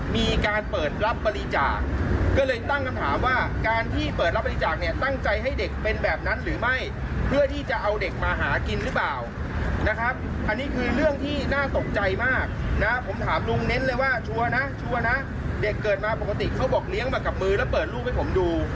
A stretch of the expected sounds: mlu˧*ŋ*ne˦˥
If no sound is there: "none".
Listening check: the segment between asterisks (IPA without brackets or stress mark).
ŋ